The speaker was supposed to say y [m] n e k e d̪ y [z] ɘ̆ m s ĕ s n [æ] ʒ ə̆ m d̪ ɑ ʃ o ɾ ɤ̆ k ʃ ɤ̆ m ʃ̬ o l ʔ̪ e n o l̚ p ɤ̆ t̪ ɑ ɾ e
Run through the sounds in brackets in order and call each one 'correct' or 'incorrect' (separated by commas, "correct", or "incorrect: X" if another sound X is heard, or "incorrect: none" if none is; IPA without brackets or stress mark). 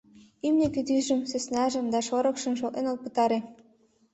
correct, incorrect: ʒ, correct